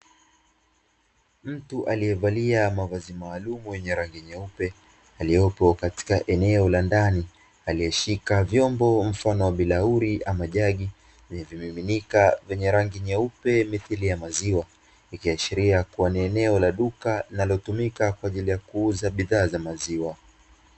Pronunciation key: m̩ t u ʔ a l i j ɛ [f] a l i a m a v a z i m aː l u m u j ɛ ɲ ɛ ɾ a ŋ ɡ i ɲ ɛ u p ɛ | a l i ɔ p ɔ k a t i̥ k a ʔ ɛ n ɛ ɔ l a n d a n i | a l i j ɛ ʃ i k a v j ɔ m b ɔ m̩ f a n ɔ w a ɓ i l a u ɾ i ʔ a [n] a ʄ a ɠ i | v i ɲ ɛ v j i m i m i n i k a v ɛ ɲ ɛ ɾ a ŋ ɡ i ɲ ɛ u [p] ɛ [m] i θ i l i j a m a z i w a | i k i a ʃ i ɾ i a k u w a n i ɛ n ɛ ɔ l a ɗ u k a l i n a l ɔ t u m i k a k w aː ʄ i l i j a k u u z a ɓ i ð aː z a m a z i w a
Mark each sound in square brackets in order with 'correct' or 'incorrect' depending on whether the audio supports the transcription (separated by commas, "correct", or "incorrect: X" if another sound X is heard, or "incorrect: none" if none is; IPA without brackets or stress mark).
incorrect: v, incorrect: m, correct, correct